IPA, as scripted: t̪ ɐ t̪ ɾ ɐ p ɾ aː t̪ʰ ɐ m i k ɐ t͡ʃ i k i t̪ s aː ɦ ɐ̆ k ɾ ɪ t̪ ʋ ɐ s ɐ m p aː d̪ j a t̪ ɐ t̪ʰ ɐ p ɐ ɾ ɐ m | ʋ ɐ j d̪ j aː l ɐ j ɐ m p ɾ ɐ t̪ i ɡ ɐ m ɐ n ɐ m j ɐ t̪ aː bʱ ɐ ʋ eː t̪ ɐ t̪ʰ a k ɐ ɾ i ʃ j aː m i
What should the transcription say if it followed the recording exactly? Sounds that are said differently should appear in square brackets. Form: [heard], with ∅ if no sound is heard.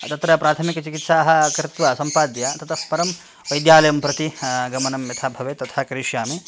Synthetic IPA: t̪ ɐ t̪ ɾ ɐ p ɾ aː t̪ʰ ɐ m i k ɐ t͡ʃ i k i t̪ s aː ɦ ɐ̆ k ɾ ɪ t̪ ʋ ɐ s ɐ m p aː d̪ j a t̪ ɐ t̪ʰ ɐ p ɐ ɾ ɐ m | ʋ ɐ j d̪ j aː l ɐ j ɐ m p ɾ ɐ t̪ i ɡ ɐ m ɐ n ɐ m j ɐ [t̪ʰ] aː bʱ ɐ ʋ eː t̪ ɐ t̪ʰ a k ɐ ɾ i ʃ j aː m i